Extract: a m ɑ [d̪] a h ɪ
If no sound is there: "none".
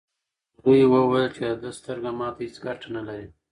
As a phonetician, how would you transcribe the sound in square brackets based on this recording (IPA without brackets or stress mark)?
t̪